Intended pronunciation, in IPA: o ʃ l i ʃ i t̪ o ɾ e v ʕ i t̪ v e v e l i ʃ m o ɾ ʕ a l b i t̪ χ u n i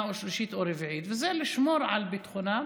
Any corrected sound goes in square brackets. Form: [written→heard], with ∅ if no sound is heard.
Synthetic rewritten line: o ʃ l i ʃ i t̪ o ɾ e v ʕ i t̪ v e [v→z] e l i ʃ m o ɾ ʕ a l b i t̪ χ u n [i→a]